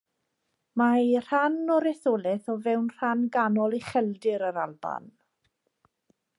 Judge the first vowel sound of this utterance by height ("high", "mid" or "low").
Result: low